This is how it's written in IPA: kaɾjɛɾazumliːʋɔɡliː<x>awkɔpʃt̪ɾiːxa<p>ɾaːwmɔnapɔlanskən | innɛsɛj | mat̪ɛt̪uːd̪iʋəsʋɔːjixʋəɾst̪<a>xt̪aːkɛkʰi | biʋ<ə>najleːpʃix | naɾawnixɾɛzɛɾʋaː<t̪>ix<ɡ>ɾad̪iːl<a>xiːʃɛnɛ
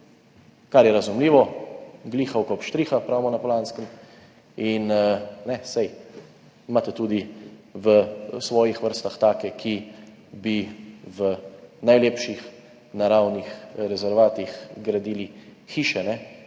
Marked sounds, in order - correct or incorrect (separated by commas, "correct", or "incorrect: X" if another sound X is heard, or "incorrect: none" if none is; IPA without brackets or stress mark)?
correct, correct, correct, correct, correct, correct, incorrect: i